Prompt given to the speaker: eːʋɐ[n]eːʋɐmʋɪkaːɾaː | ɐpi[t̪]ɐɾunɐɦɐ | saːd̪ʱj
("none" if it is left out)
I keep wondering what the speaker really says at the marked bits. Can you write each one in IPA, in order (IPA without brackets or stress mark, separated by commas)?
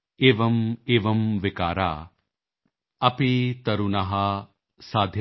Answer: m, t̪